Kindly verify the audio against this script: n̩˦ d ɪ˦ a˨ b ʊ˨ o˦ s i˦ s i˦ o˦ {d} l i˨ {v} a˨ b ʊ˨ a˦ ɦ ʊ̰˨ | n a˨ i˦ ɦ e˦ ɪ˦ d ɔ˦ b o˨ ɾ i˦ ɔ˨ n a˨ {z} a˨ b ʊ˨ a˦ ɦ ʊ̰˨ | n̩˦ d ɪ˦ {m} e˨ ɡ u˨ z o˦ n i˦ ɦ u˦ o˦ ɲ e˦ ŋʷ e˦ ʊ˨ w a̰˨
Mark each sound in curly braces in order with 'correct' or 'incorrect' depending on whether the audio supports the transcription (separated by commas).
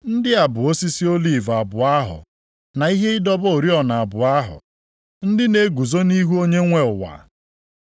incorrect, correct, incorrect, incorrect